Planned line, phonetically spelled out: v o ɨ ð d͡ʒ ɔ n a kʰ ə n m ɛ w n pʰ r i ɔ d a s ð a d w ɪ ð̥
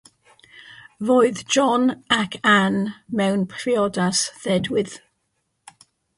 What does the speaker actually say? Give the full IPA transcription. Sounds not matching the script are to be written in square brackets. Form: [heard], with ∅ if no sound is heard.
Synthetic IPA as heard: v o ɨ ð d͡ʒ ɔ n a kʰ [a] n m ɛ w n pʰ r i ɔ d a s ð [ɛ] d w ɪ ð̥

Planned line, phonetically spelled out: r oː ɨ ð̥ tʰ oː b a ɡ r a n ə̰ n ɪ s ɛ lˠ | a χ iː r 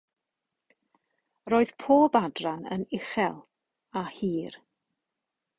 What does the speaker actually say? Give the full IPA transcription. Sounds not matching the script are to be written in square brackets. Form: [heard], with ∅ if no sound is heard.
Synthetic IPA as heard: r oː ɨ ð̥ [pʰ] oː b a [d] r a n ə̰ n ɪ [χ] ɛ lˠ | a [h] iː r

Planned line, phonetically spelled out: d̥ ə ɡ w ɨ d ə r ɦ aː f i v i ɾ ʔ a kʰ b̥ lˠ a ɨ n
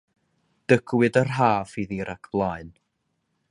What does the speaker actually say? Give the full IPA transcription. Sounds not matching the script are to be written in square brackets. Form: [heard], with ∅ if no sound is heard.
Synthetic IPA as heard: d̥ ə ɡ w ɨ d ə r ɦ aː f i [ð] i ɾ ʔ a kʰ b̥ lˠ a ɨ n

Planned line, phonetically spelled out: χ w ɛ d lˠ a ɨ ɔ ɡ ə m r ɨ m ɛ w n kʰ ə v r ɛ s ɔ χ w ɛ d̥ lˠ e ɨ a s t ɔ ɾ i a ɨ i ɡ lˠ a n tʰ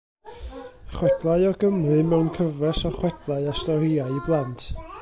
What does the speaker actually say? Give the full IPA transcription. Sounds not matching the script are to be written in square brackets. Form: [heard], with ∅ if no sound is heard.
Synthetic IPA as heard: χ w ɛ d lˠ a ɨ ɔ ɡ ə m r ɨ m ɛ w n kʰ ə v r ɛ s ɔ χ w ɛ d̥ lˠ [a] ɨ a s t ɔ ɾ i a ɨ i [b] lˠ a n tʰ

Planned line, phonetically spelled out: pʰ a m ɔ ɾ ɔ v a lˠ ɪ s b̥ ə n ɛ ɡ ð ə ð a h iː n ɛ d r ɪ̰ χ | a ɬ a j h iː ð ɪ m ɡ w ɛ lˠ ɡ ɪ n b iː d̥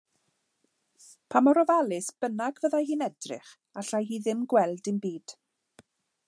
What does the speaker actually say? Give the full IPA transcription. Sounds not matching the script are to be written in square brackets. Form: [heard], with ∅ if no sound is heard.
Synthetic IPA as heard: pʰ a m ɔ ɾ ɔ v a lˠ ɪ s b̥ ə n [a] ɡ [v] ə ð a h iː n ɛ d r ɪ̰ χ | a ɬ a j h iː ð ɪ m ɡ w ɛ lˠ [d] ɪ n b iː d̥

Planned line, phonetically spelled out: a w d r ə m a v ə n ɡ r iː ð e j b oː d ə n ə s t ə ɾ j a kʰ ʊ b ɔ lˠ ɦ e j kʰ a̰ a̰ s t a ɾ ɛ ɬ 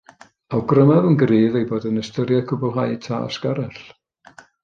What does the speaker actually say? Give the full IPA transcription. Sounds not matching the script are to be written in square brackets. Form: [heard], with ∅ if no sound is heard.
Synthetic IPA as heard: a w [ɡ] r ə m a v ə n ɡ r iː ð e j b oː d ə n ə s t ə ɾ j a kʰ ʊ b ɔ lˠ ɦ [a] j [tʰ] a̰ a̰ s [k] a ɾ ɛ ɬ

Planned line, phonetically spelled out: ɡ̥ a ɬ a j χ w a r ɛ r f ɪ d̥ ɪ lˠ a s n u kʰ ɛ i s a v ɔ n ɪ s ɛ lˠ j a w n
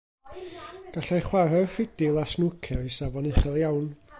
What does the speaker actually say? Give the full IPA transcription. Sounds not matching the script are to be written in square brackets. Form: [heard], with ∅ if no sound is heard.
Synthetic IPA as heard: ɡ̥ a ɬ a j χ w a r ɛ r f ɪ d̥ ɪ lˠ a s n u kʰ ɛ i s a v ɔ n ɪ [χ] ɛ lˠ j a w n

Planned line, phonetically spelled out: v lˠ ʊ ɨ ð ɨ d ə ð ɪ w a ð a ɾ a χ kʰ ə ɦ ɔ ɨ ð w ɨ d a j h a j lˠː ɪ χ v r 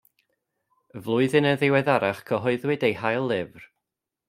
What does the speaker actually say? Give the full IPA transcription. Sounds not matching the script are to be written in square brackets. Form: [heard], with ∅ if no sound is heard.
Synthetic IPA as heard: v lˠ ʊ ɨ ð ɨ [n] ə ð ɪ w [ɛ] ð a ɾ a χ kʰ ə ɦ ɔ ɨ ð w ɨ d [e] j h a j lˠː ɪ [∅] v r

